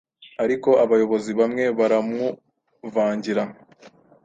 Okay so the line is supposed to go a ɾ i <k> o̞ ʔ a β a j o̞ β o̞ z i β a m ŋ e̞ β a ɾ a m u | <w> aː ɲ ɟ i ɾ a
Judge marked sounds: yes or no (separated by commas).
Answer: yes, no